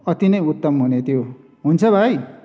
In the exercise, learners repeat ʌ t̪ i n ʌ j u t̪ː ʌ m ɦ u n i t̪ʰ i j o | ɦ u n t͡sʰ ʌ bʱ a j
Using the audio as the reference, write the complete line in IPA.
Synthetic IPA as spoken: ʌ t̪ i n ʌ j u t̪ː ʌ m ɦ u n e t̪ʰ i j o | ɦ u n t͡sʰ ʌ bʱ a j